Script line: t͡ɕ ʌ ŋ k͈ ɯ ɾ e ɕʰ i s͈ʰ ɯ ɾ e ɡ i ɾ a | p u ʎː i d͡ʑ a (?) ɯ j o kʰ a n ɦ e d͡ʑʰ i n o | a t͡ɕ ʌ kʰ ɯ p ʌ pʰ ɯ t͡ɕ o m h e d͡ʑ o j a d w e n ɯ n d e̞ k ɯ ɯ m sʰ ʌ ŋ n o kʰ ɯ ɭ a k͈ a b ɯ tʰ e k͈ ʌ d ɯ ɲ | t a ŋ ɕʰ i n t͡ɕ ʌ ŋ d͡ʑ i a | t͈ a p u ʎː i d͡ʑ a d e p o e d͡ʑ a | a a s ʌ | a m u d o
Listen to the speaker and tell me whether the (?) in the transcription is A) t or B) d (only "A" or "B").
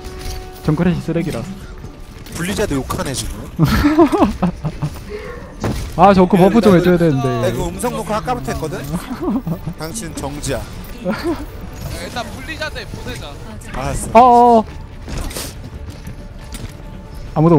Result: B